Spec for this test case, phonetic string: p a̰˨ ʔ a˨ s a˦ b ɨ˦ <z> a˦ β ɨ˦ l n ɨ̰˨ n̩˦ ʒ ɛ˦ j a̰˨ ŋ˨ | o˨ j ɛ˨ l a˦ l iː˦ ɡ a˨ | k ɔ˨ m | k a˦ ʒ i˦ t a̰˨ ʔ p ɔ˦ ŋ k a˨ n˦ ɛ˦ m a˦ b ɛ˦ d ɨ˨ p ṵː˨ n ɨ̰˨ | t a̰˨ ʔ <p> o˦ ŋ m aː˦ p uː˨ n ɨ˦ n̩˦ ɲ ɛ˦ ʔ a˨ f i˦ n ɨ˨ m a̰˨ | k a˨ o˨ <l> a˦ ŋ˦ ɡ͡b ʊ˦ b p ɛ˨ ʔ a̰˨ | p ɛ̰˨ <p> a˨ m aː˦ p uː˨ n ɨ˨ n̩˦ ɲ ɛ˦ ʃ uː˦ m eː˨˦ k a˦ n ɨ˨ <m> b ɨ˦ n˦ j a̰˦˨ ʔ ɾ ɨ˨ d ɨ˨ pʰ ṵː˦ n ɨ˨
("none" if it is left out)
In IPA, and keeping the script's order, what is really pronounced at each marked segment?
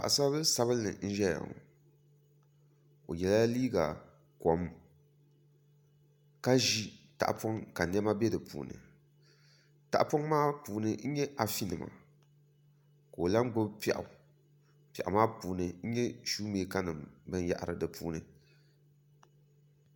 s, p, l, ʔ, m

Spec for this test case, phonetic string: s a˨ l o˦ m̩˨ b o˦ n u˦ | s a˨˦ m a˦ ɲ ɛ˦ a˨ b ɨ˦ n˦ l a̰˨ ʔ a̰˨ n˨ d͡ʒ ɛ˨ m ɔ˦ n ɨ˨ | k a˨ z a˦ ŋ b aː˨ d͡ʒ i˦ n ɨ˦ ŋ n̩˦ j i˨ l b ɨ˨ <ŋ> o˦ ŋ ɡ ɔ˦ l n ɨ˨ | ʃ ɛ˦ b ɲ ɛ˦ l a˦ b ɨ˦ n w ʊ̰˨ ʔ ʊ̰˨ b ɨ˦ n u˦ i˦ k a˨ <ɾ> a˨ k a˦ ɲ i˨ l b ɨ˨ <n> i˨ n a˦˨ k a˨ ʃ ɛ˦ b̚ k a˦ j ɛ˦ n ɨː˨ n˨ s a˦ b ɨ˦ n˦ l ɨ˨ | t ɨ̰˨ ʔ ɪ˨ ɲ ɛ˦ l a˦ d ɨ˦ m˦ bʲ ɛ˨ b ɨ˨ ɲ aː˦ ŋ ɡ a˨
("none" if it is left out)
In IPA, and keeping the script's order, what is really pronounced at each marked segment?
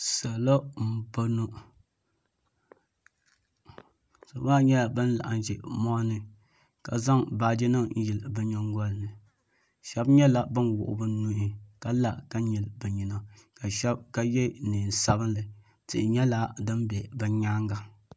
ɲ, l, ɲ

